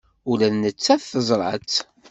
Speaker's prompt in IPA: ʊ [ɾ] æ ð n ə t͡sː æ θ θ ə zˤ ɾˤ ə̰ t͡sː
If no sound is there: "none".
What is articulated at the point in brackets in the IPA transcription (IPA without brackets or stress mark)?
l